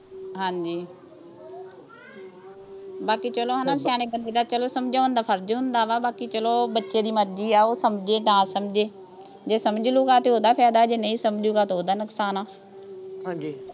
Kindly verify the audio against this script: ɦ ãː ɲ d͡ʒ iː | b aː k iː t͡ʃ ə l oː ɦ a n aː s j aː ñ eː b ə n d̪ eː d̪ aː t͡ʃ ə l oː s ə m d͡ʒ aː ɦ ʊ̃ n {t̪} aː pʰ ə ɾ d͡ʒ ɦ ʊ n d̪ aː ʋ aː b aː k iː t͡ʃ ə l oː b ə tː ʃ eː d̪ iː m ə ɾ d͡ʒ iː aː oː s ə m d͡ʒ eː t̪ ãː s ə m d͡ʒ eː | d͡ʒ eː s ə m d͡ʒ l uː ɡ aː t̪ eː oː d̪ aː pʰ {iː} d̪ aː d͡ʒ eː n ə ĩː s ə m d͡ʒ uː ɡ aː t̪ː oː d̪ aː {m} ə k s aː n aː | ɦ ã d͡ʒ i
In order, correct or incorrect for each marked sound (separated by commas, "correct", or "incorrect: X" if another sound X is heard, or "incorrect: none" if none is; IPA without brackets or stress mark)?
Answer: incorrect: d̪, incorrect: ɛː, incorrect: n